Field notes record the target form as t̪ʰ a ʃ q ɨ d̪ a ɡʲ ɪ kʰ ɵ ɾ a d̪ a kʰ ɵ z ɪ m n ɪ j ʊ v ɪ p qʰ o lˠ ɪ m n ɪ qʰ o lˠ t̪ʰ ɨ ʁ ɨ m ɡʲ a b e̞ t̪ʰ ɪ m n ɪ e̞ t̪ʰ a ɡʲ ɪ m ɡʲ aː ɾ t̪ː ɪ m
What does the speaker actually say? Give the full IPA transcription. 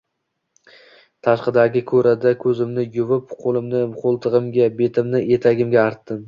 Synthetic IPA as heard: t̪ʰ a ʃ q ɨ d̪ a ɡʲ ɪ kʰ ɵ ɾ a d̪ a kʰ ɵ z ɪ m n ɪ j ʊ v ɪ p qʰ o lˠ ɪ m n ɪ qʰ o lˠ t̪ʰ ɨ ʁ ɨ m ɡʲ a b e̞ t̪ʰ ɪ m n ɪ e̞ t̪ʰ a ɡʲ ɪ m ɡʲ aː ɾ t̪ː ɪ m

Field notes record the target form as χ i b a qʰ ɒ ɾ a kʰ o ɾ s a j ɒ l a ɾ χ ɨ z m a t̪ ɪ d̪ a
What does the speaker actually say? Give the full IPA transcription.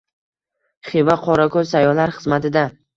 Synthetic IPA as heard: χ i v a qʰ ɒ ɾ a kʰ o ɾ s a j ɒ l a ɾ χ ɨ z m a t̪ ɪ d̪ a

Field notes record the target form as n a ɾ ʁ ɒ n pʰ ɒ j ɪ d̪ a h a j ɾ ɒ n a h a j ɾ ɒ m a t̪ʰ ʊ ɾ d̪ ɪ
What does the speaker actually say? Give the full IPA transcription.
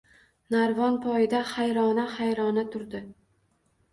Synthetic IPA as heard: n a ɾ v ɒ n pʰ ɒ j ɪ d̪ a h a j ɾ ɒ n a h a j ɾ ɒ n a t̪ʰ ʊ ɾ d̪ ɪ

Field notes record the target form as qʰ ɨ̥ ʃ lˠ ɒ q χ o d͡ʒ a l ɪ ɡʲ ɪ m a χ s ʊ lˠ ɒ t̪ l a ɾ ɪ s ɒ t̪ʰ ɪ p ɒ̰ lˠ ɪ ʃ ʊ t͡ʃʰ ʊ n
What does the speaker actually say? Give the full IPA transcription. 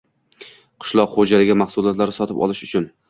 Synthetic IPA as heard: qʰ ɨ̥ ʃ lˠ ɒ q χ o d͡ʒ a l ɪ ɡʲ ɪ m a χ s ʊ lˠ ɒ t̪ l a ɾ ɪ s ɒ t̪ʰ ɪ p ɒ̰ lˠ ɪ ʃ ʊ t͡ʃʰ ʊ n

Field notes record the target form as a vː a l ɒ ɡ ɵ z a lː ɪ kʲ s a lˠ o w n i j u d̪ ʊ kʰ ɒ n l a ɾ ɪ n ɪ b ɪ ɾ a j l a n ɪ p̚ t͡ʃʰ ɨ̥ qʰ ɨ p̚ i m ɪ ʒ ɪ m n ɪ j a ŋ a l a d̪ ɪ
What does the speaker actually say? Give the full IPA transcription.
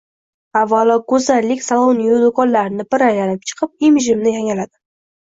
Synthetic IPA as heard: a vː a l ɒ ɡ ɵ z a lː ɪ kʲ s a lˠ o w n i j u d̪ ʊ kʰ ɒ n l a ɾ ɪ n ɪ b ɪ ɾ a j l a n ɪ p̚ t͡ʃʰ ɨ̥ qʰ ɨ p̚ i m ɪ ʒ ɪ m n ɪ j a ŋ a l a d̪ ɪ

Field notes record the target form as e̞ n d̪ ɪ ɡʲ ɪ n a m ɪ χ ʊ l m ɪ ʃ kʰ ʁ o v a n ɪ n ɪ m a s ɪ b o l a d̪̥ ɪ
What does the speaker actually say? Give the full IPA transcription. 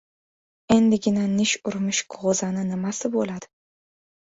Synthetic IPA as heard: e̞ n d̪ ɪ ɡʲ ɪ n a n ɪ ʃ ʊ ɾ m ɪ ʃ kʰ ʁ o z a n ɪ n ɪ m a s ɪ b o l a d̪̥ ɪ

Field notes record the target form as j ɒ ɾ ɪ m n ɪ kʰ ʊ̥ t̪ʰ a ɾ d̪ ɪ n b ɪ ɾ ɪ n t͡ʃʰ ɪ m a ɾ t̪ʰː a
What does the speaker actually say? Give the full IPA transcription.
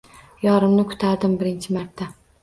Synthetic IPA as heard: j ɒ ɾ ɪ m n ɪ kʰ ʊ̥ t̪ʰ a ɾ d̪ ɪ m b ɪ ɾ ɪ n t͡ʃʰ ɪ m a ɾ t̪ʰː a

